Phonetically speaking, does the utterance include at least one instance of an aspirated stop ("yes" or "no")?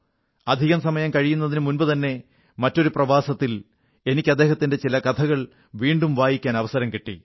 yes